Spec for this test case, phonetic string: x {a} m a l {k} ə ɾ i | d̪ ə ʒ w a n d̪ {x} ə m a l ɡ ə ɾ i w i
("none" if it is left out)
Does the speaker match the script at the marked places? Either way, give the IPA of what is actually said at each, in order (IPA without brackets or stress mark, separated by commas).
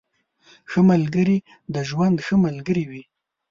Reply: ə, ɡ, x